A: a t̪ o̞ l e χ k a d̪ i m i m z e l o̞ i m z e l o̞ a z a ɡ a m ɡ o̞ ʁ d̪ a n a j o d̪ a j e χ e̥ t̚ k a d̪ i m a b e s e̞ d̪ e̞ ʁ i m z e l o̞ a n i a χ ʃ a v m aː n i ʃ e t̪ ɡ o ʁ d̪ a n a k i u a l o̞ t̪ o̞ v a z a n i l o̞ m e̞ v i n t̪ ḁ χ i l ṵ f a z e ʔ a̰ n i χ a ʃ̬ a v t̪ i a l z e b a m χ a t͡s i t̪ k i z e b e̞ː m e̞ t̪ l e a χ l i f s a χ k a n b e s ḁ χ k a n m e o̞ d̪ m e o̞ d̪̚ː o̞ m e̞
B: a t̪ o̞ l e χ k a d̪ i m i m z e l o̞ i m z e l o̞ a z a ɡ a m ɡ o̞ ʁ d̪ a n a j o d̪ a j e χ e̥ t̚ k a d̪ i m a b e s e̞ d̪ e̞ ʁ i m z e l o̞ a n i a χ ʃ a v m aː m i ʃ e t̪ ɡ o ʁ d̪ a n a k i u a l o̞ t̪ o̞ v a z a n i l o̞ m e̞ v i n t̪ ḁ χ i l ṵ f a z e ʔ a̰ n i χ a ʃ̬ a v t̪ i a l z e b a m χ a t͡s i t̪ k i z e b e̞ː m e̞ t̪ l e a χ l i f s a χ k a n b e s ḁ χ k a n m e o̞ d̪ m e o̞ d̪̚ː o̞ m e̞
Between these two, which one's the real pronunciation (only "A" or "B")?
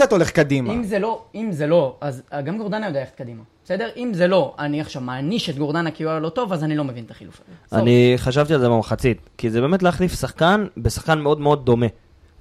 A